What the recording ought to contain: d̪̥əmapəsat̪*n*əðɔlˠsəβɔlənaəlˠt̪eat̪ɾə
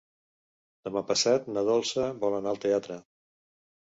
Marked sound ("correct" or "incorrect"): correct